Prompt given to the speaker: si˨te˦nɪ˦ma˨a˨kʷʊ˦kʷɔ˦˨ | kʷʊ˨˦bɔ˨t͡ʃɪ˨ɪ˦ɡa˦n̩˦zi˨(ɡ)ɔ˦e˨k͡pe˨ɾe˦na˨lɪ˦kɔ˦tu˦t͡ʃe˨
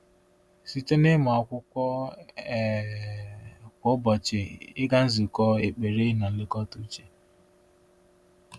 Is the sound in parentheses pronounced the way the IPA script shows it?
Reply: no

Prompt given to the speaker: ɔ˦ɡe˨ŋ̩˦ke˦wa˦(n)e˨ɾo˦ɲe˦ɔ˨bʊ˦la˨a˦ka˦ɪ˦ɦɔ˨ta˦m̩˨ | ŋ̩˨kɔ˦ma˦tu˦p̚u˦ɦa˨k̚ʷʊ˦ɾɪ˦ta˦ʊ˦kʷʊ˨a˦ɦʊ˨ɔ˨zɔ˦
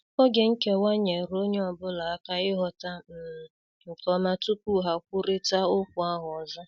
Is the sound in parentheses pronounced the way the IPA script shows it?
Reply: no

